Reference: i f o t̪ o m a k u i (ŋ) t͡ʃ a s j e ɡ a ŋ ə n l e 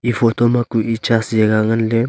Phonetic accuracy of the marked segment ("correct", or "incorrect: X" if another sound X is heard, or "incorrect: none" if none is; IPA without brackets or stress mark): incorrect: none